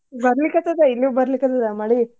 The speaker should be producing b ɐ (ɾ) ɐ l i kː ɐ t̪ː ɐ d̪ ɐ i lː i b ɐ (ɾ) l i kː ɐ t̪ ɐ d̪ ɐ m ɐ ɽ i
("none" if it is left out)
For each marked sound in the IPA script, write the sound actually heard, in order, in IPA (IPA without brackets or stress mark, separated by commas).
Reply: ɾ, ɾ